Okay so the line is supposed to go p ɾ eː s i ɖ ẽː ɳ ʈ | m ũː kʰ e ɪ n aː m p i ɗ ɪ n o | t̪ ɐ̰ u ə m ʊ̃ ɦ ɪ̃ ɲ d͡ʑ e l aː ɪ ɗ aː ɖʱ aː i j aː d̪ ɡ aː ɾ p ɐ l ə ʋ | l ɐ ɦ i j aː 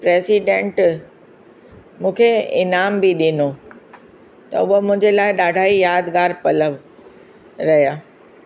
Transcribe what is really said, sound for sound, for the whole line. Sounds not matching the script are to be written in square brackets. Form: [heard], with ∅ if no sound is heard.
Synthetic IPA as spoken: p ɾ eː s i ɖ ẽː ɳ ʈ | m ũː kʰ e ɪ n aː m [b] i ɗ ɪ n o | t̪ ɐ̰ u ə m ʊ̃ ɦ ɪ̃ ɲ d͡ʑ e l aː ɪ ɗ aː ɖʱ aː i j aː d̪ ɡ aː ɾ p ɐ l ə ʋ | [ɾ] ɐ ɦ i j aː